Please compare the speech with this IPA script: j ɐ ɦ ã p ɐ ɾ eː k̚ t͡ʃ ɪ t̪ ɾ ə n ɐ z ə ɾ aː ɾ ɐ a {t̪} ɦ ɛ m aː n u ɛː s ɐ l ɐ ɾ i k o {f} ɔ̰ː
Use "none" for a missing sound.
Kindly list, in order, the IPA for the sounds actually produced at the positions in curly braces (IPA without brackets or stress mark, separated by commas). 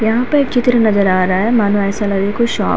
none, ʃ